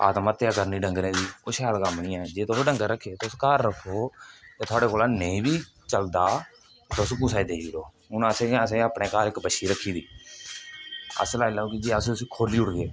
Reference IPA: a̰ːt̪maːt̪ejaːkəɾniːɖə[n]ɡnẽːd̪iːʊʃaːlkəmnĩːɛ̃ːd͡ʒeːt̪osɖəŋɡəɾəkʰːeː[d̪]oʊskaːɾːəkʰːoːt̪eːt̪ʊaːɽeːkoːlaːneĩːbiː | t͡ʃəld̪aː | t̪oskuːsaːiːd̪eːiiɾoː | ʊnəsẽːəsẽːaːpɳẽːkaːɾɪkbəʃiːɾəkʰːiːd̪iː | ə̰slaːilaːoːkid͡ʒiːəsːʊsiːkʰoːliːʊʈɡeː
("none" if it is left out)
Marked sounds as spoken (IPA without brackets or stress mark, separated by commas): ŋ, t̪